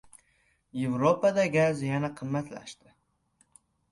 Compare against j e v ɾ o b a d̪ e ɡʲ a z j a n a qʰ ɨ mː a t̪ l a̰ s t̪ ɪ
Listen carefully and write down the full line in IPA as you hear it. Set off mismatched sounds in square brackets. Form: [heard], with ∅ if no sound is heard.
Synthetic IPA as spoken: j e v ɾ o [p] a d̪ [a] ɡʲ a z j a n a qʰ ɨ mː a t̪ l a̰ [ʃ] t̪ ɪ